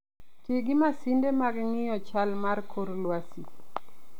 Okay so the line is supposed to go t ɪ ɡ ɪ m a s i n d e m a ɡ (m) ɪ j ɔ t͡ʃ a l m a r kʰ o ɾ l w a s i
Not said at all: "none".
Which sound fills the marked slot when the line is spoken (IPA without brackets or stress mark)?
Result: ŋ